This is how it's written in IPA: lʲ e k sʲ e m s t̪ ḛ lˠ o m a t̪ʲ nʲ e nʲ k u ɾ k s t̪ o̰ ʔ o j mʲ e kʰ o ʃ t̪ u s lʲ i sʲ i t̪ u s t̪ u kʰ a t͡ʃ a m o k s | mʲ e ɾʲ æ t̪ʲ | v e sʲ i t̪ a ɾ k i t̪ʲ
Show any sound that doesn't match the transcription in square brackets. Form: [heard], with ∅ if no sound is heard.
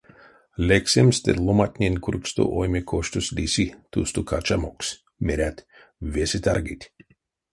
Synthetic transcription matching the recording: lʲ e k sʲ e m s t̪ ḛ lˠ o m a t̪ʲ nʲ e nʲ k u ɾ k s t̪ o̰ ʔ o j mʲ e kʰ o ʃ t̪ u s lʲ i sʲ i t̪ u s t̪ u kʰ a t͡ʃ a m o k s | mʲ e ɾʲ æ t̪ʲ | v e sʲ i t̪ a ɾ [ɡ] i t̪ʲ